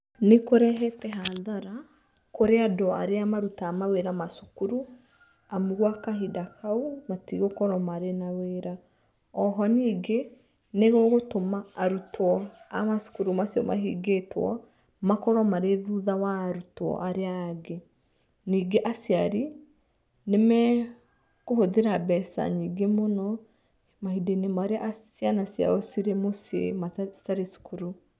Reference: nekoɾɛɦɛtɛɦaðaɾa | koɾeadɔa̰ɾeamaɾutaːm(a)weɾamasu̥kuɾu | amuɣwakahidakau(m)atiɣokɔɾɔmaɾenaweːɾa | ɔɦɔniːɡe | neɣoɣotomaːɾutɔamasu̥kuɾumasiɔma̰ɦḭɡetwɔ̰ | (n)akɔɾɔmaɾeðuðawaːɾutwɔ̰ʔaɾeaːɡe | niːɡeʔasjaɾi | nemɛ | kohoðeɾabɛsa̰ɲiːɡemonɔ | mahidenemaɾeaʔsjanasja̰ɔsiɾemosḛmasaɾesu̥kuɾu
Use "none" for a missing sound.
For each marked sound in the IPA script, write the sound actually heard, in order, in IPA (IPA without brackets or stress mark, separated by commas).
a, m, m